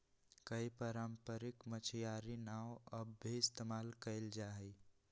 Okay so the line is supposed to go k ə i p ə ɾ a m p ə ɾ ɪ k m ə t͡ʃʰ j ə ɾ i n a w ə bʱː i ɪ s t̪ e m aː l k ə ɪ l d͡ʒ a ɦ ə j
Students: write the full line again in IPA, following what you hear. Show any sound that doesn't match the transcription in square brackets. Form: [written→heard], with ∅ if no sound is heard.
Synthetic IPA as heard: k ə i p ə ɾ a m p ə ɾ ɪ k m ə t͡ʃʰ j [ə→a] ɾ i n a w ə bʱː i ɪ s t̪ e m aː l k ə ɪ l d͡ʒ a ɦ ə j

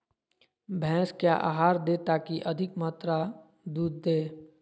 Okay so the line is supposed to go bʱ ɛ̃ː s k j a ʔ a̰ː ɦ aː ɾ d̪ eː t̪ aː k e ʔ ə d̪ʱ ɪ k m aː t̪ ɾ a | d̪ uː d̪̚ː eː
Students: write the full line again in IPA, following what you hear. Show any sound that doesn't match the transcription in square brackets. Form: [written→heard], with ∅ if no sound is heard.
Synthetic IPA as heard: bʱ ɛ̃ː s k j a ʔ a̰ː ɦ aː ɾ d̪ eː t̪ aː k [e→i] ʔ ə d̪ʱ ɪ k m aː t̪ ɾ a | d̪ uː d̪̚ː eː

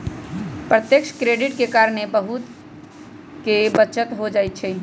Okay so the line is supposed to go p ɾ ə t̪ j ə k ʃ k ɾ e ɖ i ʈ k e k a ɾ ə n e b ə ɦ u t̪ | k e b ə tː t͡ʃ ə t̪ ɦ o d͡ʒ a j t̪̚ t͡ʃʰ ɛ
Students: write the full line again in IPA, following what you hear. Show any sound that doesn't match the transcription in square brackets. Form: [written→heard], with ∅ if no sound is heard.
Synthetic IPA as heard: p ɾ ə t̪ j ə k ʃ k ɾ e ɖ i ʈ k e k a ɾ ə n e b ə ɦ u t̪ | k e b ə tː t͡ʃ ə t̪ ɦ o d͡ʒ a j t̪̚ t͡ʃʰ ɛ

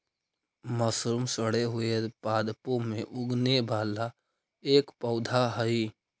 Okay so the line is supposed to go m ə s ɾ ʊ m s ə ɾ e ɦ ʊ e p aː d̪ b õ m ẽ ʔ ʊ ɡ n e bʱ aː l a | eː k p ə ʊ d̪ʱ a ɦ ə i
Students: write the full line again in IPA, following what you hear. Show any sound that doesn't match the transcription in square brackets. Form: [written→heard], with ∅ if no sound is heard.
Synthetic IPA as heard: m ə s ɾ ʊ m s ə [ɾ→ɽ] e ɦ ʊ e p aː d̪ [b→p] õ m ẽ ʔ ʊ ɡ n e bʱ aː l a | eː k p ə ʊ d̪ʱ a ɦ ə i

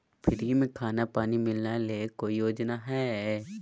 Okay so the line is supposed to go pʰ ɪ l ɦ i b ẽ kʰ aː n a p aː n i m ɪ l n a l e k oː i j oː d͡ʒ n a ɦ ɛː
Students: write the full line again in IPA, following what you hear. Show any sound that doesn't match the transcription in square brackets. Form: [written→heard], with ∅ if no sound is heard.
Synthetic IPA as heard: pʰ ɪ [l→ɾ] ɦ i [b→m] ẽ kʰ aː n a p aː n i m ɪ l n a l e k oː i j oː d͡ʒ n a ɦ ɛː

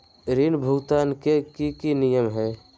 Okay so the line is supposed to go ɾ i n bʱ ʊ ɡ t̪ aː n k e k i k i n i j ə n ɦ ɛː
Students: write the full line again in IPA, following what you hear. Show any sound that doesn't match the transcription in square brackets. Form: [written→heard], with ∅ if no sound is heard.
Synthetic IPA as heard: ɾ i n bʱ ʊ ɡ t̪ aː n k e k i k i n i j ə [n→m] ɦ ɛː

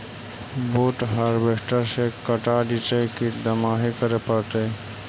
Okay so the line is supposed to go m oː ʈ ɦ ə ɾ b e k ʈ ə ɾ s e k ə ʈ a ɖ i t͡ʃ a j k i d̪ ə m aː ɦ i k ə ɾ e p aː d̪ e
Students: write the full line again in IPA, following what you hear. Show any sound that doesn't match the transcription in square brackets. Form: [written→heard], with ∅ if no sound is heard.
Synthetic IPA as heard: [m→b] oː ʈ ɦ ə ɾ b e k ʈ ə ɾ s e k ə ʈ a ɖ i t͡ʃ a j k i d̪ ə m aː ɦ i k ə ɾ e p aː [d̪→t̪] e

